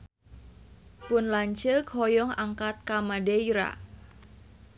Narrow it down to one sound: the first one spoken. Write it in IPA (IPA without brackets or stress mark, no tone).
p